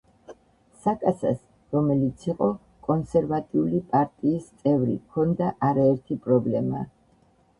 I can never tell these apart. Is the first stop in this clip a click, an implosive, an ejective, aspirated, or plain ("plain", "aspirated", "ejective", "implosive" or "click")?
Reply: ejective